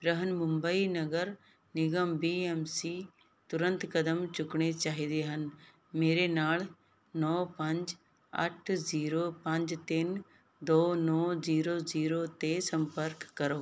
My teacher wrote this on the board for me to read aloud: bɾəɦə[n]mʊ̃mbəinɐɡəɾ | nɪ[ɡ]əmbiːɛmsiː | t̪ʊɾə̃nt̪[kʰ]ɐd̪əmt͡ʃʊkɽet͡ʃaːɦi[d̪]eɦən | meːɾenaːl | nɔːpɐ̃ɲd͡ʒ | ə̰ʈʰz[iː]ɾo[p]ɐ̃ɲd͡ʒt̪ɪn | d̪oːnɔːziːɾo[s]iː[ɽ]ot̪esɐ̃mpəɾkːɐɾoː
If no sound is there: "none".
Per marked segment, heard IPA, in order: n, ɡ, k, d̪, iː, p, z, ɾ

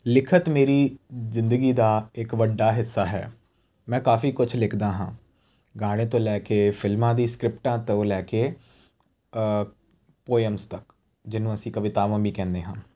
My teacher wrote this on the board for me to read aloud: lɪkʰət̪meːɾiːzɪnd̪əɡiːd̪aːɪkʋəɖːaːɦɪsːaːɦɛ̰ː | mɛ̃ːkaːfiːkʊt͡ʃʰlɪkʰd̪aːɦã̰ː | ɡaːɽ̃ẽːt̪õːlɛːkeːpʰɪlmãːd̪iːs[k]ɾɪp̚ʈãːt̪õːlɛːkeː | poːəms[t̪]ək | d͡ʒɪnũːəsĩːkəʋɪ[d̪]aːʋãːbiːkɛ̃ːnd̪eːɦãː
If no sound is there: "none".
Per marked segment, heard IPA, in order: k, t̪, t̪

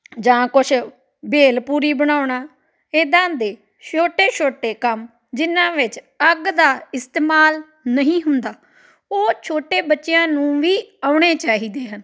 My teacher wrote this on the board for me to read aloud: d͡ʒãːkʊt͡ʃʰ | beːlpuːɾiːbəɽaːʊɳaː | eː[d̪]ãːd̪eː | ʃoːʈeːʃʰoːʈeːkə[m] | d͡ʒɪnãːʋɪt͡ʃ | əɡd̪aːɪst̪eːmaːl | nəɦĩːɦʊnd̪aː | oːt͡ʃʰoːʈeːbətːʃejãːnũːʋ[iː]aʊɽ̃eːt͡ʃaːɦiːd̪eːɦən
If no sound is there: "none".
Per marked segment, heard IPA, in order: d̪, m, iː

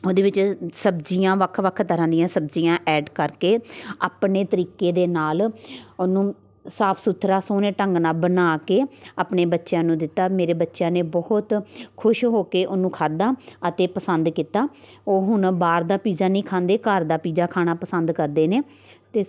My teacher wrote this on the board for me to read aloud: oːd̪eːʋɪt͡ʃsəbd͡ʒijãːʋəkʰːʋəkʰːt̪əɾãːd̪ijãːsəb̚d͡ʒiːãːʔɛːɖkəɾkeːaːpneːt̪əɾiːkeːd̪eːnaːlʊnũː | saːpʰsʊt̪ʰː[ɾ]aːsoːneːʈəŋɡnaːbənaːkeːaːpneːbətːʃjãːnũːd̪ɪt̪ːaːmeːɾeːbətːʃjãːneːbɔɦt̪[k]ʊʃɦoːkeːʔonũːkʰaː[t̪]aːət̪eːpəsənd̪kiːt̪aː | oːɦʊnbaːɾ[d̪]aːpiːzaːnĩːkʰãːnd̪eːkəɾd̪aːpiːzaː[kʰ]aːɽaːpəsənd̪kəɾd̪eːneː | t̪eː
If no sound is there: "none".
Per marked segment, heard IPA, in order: ɾ, kʰ, d̪, d̪, kʰ

